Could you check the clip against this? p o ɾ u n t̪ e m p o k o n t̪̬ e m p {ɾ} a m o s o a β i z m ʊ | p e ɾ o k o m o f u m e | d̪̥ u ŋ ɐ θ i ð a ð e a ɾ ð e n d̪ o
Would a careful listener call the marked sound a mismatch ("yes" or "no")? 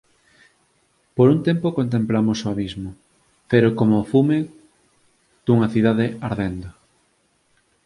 yes